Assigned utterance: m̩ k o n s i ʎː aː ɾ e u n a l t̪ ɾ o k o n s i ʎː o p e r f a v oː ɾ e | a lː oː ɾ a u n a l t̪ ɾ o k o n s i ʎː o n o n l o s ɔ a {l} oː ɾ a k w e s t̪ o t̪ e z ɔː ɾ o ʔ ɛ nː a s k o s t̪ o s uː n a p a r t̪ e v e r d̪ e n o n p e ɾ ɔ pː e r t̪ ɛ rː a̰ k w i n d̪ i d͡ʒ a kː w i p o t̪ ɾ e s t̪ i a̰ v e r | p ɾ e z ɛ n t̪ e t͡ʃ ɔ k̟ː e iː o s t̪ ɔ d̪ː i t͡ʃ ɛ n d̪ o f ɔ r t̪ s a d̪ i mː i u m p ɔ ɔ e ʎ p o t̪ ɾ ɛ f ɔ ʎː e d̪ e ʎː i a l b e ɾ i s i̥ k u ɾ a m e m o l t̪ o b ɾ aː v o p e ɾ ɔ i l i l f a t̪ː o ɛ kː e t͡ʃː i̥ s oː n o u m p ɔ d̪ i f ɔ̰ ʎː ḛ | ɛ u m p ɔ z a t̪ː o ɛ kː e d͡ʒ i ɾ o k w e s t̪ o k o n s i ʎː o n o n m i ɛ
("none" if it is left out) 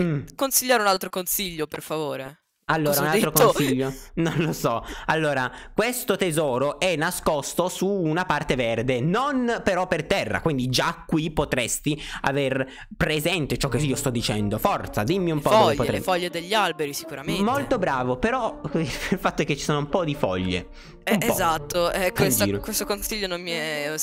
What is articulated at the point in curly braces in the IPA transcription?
lː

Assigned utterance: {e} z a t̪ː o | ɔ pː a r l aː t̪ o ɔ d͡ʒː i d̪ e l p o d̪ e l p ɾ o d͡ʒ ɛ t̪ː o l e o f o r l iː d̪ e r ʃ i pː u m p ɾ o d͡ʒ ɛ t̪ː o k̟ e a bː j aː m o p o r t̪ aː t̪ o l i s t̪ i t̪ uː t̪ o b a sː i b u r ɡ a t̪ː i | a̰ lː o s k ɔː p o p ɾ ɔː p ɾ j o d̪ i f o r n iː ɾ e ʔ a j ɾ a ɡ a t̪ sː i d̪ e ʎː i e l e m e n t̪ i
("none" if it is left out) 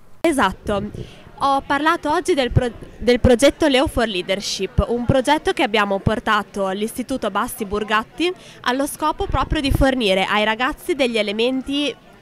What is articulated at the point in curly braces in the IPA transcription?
e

